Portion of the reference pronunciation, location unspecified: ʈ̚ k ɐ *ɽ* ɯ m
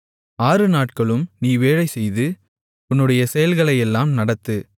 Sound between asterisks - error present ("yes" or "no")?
yes